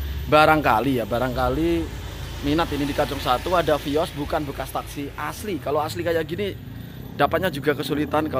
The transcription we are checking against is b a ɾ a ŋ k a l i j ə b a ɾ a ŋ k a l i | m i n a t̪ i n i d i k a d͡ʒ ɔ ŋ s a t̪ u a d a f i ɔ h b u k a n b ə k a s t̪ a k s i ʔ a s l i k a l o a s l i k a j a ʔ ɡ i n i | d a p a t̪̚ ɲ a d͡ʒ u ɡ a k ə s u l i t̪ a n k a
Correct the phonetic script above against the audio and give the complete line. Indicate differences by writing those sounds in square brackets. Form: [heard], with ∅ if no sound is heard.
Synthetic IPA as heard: b a ɾ a ŋ k a l i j [a] b a ɾ a ŋ k a l i | m i n a t̪ i n i d i k a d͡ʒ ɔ ŋ s a t̪ u a d a f i ɔ [s] b u k a n b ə k a s t̪ a k s i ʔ a s l i k a l o a s l i k a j a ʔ ɡ i n i | d a p a t̪̚ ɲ a d͡ʒ u ɡ a k ə s u l i t̪ a n k a